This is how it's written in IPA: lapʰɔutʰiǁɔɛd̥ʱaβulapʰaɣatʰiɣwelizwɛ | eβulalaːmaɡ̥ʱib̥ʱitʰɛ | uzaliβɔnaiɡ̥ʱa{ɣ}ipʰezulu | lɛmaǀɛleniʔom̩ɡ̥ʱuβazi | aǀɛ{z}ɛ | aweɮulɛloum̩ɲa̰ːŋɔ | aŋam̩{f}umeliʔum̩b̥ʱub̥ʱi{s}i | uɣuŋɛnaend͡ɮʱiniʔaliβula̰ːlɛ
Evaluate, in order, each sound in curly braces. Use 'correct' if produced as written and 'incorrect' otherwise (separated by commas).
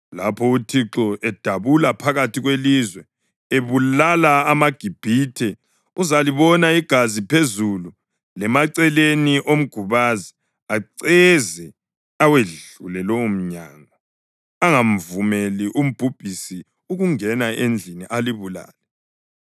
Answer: incorrect, correct, incorrect, correct